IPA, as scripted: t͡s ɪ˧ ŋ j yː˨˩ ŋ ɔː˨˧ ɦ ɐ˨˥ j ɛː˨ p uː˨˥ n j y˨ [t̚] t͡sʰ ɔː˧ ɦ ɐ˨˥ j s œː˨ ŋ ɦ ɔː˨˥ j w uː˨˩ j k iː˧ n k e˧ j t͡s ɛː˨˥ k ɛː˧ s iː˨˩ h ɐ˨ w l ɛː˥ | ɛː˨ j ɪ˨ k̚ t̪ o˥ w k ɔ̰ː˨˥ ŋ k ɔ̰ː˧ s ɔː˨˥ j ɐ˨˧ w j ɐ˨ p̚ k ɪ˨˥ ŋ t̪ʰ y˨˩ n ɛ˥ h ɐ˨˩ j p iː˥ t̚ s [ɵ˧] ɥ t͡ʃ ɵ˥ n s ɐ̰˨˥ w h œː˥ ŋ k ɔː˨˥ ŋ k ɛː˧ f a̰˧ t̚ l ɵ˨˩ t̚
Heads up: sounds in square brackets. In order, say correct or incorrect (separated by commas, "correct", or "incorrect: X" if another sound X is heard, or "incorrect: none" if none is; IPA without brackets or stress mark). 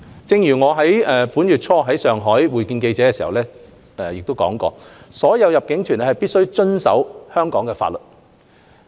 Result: correct, incorrect: ɵ˥